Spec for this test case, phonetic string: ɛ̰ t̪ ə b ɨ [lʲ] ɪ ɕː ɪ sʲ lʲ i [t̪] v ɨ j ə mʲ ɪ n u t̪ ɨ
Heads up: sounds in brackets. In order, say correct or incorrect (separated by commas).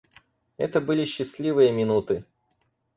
correct, incorrect